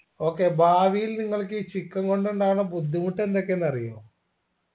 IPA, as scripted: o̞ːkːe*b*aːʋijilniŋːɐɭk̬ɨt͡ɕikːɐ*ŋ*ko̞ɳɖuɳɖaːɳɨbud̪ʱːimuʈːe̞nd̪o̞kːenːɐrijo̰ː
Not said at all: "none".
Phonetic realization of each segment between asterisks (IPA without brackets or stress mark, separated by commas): b, ŋ